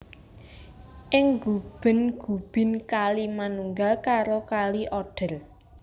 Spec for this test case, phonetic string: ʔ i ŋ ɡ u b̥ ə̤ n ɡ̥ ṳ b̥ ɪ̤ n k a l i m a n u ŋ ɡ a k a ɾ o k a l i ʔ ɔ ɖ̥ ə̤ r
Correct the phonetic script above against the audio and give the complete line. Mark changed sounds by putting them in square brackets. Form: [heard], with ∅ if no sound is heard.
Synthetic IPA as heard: ʔ [ɪ] ŋ ɡ u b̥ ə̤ n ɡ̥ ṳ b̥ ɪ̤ n k a l i m a n u ŋ ɡ a k a ɾ o k a l i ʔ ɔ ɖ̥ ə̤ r